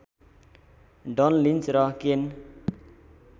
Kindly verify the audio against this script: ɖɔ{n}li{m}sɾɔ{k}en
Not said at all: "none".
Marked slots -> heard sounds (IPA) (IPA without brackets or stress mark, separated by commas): n, n, k